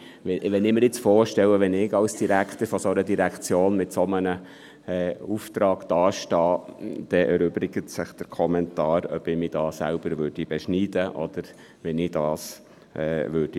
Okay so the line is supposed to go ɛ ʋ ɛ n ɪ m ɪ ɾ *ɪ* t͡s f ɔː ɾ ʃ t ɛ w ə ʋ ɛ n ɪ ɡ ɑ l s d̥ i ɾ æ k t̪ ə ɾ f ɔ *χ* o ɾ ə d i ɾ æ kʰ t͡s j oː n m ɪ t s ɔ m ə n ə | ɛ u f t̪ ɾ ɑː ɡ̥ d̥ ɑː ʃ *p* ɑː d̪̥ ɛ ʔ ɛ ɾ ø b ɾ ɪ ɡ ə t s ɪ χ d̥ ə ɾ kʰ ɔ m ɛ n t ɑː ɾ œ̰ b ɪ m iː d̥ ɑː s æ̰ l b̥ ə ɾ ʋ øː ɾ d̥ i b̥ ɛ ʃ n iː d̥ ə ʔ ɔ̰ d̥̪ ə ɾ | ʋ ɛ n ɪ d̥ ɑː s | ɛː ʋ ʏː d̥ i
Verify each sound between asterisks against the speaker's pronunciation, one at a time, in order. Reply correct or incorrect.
correct, incorrect, incorrect

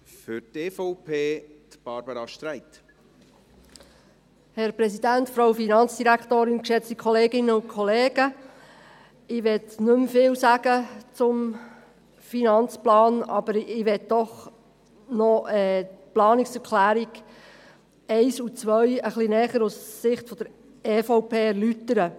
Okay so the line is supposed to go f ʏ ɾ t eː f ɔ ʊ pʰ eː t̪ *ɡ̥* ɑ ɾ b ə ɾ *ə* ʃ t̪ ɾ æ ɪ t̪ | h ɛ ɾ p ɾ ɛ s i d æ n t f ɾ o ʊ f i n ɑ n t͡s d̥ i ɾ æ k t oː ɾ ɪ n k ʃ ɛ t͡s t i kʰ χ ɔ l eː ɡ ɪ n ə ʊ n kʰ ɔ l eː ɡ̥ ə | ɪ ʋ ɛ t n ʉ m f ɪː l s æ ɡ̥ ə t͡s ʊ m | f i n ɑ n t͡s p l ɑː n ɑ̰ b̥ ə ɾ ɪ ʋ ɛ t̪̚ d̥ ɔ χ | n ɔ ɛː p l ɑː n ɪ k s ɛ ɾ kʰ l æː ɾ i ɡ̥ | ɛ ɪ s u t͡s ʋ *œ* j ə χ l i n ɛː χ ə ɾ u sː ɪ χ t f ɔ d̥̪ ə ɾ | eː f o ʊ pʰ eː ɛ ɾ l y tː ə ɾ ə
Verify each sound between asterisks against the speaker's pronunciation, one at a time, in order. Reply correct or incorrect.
incorrect, incorrect, correct

